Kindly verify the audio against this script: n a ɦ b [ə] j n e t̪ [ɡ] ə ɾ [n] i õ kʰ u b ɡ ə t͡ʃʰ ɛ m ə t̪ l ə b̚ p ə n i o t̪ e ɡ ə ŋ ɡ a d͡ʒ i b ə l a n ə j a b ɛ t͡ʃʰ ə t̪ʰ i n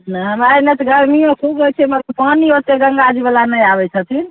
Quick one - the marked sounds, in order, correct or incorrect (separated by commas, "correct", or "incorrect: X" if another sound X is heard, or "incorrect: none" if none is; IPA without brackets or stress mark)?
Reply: incorrect: a, correct, incorrect: m